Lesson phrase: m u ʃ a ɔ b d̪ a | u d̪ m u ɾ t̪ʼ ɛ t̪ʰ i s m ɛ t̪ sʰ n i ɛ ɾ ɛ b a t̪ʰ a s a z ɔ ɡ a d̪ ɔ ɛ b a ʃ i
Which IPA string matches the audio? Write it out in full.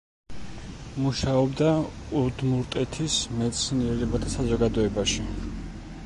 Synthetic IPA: m u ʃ a ɔ b d̪ a | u d̪ m u ɾ t̪ʼ ɛ t̪ʰ i s m ɛ t̪ sʰ n i ɛ ɾ ɛ b a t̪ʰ a s a z ɔ ɡ a d̪ ɔ ɛ b a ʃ i